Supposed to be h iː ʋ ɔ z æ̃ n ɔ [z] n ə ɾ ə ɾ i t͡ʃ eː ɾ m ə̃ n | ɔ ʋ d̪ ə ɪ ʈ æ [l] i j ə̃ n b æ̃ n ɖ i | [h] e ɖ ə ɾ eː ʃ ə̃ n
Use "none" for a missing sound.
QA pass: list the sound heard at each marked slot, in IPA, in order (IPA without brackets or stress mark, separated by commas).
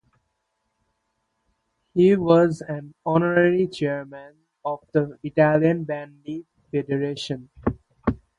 none, l, f